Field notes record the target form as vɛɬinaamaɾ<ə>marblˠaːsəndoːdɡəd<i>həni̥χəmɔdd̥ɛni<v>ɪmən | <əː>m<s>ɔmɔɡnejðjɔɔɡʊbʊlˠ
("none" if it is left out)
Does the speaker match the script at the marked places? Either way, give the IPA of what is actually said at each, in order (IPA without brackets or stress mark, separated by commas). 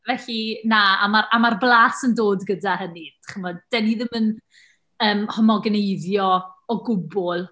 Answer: a, a, ð, əː, h